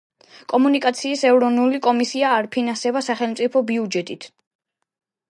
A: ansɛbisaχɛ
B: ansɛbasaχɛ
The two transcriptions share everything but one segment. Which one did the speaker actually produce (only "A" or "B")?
B